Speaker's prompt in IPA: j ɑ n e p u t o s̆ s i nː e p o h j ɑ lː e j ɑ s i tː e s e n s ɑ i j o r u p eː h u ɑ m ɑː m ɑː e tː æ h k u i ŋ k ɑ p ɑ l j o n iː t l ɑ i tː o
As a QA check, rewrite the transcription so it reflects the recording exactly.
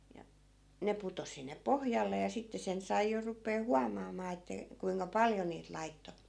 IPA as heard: j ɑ n e p u t o s̆ s i nː e p o h j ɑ lː e j ɑ s i tː e s e n s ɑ i j o r u p eː h u ɑ m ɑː m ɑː e tː æ k u i ŋ k ɑ p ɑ l j o n iː t l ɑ i tː o